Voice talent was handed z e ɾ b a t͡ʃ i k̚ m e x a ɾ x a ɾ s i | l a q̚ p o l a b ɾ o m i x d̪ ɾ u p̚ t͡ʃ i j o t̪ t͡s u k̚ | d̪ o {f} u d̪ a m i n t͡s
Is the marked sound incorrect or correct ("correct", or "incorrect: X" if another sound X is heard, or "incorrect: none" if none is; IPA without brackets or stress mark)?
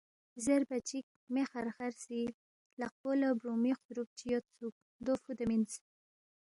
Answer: correct